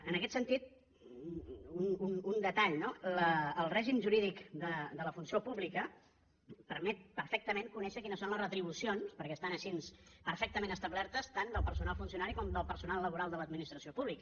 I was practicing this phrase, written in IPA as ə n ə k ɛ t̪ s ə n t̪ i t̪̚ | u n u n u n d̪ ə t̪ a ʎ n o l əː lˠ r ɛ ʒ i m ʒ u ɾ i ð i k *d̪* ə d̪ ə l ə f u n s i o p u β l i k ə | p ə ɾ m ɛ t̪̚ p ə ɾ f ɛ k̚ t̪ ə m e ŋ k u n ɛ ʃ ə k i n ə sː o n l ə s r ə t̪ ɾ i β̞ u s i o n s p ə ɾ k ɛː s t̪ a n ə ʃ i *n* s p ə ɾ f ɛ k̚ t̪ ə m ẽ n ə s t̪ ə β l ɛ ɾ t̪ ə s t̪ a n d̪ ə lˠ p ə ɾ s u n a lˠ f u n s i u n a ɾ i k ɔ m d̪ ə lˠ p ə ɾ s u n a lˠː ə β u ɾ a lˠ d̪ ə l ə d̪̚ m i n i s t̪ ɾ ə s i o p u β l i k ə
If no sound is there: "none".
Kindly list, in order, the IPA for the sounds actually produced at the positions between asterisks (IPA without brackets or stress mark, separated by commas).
d̪, n